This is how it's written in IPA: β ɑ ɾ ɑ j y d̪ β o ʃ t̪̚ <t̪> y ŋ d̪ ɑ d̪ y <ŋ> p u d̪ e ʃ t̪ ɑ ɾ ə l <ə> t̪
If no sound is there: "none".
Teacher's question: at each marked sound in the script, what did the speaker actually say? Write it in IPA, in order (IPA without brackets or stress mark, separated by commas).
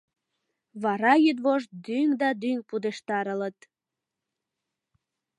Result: d̪, ŋ, ə